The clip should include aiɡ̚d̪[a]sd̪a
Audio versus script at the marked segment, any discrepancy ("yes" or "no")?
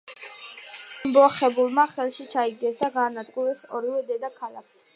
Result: yes